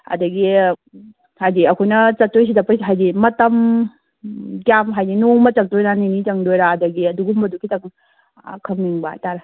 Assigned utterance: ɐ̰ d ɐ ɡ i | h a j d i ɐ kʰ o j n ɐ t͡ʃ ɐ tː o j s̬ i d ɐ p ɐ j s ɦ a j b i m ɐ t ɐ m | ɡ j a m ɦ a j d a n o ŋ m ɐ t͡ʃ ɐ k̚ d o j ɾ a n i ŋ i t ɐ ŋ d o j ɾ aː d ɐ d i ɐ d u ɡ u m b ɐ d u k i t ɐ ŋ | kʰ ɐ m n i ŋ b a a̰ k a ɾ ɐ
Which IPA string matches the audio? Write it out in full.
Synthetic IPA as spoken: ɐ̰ d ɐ ɡ i | h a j d i ɐ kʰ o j n ɐ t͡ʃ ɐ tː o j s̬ i d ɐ p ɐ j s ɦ a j d i m ɐ t ɐ m | ɡ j a m ɦ a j d i n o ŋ m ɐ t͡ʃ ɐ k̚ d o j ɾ a n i n i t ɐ ŋ d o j ɾ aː d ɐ ɡ i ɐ d u ɡ u m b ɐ d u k i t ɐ ŋ | kʰ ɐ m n i ŋ b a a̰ t a ɾ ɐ